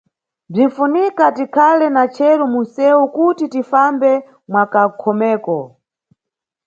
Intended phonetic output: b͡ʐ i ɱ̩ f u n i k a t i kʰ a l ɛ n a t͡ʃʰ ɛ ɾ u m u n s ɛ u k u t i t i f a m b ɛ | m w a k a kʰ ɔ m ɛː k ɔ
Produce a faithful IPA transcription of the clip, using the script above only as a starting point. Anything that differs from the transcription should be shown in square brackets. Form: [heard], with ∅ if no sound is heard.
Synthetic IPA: b͡ʐ i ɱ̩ f u n i k a t i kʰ a l ɛ n a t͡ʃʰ ɛ ɾ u m u n s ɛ u k u t i t i f a m b ɛ | m w a k a kʰ ɔ m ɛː k ɔ